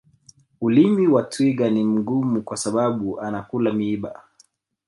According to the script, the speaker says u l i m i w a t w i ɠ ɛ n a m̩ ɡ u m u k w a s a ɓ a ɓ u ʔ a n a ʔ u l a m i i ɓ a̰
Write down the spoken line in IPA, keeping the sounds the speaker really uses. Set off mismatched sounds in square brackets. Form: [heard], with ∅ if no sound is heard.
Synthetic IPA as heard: u l i m i w a t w i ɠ [a] n [i] m̩ ɡ u m u k w a s a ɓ a ɓ u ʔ a n a [k] u l a m i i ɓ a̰